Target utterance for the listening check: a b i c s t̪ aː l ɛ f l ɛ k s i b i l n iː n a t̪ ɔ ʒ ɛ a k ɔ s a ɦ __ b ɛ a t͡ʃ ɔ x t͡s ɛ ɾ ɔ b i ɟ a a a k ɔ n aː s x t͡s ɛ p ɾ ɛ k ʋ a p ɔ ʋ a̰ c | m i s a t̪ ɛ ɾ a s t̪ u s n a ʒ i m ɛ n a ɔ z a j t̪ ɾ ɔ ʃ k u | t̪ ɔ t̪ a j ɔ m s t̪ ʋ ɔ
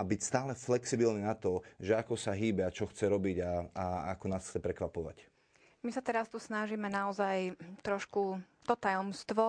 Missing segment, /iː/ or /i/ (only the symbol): iː